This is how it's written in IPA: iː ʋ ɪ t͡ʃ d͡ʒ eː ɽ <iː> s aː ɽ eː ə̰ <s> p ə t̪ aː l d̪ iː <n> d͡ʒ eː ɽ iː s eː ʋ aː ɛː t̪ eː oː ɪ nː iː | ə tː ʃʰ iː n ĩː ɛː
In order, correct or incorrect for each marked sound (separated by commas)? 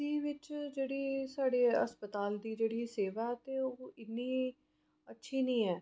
correct, correct, incorrect